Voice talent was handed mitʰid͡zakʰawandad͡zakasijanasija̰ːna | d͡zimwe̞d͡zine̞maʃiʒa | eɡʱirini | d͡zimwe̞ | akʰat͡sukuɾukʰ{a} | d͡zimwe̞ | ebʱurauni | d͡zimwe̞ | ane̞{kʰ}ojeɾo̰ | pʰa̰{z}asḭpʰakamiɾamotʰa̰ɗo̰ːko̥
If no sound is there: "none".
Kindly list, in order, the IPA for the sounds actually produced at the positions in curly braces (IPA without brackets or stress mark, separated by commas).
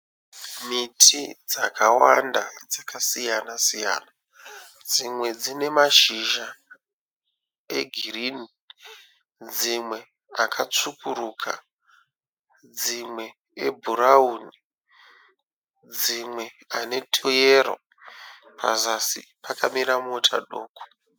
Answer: a, tʰ, z